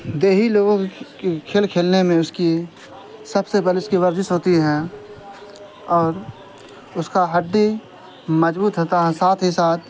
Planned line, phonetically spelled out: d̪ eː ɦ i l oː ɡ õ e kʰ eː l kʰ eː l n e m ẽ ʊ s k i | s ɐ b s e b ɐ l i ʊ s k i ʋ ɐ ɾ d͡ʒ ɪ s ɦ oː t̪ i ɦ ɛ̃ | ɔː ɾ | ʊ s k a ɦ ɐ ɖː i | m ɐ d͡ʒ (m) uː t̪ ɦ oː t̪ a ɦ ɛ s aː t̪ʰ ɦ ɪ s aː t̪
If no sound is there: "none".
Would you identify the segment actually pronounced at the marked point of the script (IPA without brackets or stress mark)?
b